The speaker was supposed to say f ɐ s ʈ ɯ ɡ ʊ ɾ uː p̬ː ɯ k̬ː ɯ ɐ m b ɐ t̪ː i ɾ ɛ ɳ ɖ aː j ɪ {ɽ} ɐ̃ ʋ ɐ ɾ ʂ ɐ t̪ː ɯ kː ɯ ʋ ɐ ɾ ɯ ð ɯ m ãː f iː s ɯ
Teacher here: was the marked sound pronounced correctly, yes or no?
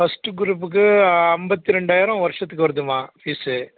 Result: no